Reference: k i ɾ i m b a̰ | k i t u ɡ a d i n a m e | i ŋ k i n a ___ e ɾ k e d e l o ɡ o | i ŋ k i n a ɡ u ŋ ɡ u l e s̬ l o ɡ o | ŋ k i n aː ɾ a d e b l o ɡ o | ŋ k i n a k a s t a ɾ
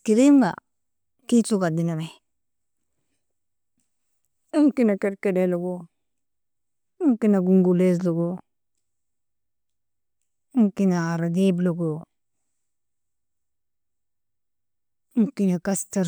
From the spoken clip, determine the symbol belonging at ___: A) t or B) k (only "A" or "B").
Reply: B